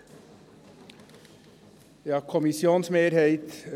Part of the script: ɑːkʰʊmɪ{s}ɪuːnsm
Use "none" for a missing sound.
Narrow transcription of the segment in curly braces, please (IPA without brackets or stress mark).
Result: s